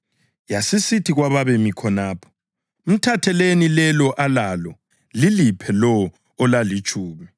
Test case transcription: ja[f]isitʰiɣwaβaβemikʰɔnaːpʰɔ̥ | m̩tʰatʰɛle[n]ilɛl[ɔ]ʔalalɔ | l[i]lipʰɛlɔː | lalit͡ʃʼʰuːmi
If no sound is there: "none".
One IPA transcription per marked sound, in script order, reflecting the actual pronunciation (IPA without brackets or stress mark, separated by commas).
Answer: s, n, ɔ, i